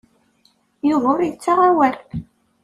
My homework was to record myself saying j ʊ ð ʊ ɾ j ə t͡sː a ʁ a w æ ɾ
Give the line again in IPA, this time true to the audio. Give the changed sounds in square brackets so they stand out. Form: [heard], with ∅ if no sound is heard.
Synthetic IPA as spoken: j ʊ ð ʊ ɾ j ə t͡sː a ʁ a w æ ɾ